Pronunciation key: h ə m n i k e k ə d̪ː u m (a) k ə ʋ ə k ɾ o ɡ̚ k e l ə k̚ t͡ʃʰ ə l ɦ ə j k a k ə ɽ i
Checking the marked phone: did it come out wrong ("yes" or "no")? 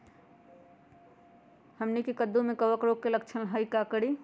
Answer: yes